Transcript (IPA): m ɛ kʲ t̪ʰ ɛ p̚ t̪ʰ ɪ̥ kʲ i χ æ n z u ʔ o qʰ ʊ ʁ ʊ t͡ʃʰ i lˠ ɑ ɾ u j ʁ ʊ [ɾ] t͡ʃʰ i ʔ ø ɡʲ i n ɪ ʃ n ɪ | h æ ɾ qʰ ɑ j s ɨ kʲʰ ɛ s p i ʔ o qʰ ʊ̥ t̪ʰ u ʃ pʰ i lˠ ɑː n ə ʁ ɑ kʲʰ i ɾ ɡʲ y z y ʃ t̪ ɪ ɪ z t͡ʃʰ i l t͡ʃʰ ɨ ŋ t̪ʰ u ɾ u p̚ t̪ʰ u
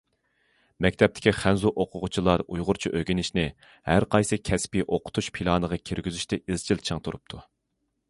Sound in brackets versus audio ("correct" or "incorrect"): correct